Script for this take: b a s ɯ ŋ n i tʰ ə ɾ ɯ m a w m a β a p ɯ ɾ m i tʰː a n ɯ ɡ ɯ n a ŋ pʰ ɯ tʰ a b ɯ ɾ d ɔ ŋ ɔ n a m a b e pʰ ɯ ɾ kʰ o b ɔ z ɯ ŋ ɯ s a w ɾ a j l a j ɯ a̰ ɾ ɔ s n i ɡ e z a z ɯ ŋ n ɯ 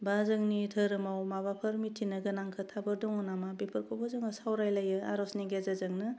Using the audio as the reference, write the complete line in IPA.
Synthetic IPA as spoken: b a z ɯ ŋ n i tʰ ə ɾ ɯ m a w m a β a pʰ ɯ ɾ m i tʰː i n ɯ ɡ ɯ n a ŋ kʰ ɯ tʰ a b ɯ ɾ d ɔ ŋ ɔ n a m a b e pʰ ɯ ɾ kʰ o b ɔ z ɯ ŋ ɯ s a w ɾ a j l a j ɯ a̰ ɾ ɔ s n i ɡ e z a z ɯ ŋ n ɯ